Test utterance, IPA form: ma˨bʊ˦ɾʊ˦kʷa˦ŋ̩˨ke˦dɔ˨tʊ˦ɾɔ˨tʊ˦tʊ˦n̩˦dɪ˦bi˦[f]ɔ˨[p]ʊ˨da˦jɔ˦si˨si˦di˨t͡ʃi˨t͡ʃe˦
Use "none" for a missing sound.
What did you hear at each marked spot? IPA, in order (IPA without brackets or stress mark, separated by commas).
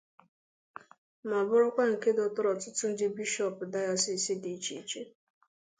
ʃ, p